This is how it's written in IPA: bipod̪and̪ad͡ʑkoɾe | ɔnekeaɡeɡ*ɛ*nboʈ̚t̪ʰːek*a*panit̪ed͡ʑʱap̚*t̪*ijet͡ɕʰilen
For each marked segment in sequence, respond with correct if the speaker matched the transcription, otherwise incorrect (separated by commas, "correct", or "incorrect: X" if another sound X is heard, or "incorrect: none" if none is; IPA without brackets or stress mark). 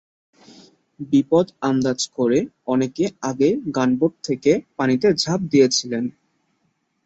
incorrect: a, incorrect: e, incorrect: d̪